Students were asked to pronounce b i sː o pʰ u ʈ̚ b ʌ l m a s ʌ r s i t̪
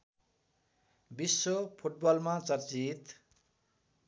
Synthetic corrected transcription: b i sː o pʰ u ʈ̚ b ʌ l m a t͡s ʌ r t͡s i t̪